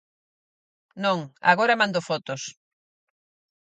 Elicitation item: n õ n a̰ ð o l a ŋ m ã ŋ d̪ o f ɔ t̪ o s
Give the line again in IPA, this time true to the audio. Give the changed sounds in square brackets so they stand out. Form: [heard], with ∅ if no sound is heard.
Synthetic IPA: n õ [ŋ] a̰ [ɣ] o [ɾ] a [∅] m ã [n] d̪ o f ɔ t̪ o s